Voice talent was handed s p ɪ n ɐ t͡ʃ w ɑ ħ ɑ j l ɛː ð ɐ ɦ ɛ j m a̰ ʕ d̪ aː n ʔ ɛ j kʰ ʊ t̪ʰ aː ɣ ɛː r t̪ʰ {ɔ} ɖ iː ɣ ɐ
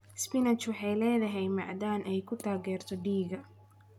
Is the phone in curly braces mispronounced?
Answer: no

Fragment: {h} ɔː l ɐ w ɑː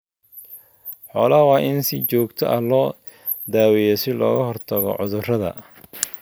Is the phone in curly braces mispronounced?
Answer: yes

